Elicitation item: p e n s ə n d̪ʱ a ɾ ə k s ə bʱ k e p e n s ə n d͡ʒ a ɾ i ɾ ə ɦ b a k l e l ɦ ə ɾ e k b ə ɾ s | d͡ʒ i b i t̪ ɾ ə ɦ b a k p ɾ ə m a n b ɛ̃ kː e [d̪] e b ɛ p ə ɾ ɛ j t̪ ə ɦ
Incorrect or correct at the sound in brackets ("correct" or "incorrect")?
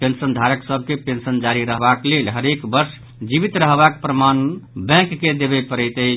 correct